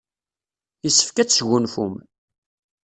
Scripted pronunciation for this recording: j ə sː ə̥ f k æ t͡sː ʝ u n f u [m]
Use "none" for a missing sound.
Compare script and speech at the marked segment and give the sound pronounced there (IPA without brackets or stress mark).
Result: m